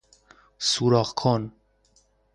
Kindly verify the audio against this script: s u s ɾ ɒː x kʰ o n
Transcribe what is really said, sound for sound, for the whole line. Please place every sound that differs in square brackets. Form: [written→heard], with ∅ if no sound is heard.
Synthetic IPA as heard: s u [s→∅] ɾ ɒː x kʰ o n